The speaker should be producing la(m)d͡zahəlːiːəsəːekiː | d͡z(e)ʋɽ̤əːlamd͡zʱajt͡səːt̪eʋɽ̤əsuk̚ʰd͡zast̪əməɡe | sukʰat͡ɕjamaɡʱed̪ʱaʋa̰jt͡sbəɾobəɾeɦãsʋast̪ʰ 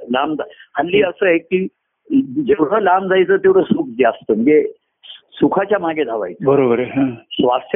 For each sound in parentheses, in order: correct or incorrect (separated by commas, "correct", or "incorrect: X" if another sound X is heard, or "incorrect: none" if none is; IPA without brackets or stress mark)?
correct, correct